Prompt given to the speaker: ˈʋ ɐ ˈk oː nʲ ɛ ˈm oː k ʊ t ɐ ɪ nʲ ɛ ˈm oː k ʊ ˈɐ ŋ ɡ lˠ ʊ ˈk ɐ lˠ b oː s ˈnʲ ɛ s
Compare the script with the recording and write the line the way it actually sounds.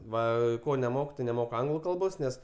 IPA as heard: ˈʋ ɐ ˈk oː nʲ ɛ ˈm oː k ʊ t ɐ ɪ nʲ ɛ ˈm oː k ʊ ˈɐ ŋ ɡ lˠ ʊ ˈk ɐ lˠ b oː s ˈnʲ ɛ s